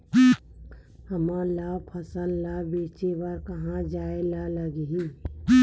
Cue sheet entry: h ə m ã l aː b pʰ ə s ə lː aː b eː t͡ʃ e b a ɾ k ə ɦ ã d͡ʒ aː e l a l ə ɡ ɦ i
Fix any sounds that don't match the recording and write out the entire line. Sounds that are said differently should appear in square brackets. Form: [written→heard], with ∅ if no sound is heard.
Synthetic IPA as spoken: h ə m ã l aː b pʰ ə s ə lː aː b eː t͡ʃ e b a ɾ k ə ɦ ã d͡ʒ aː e l a l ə ɡ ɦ i